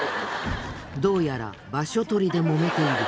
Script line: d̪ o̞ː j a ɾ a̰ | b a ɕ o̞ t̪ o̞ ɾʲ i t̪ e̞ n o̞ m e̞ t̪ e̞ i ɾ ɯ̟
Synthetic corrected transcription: d̪ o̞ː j a ɾ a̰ | b a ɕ o̞ t̪ o̞ ɾʲ i d̪ e̞ m o̞ m e̞ t̪ e̞ i ɾ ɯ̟